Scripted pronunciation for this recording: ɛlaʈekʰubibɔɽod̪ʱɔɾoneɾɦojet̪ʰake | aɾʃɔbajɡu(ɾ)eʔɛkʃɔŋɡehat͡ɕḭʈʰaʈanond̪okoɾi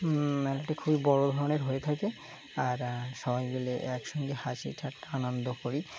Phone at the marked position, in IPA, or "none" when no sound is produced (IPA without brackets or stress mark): l